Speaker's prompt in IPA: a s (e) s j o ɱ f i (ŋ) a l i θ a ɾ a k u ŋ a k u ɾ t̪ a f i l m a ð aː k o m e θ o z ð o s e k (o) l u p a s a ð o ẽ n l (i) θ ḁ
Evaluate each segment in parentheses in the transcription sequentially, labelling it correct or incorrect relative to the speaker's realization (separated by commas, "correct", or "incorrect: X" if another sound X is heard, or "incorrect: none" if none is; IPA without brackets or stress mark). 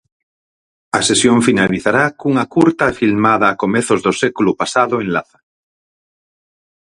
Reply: correct, incorrect: n, incorrect: u, incorrect: a